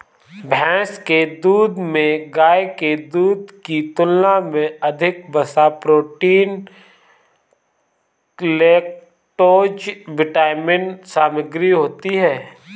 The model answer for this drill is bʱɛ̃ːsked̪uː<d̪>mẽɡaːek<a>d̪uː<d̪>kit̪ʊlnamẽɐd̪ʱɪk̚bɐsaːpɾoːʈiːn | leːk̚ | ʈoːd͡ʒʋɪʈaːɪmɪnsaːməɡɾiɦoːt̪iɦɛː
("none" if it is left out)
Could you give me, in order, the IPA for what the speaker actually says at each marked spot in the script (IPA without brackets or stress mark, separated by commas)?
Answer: d̪, e, d̪